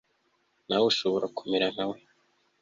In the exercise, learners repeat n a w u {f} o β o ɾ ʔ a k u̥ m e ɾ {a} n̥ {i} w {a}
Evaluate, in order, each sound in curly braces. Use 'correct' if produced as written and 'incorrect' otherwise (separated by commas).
incorrect, correct, incorrect, incorrect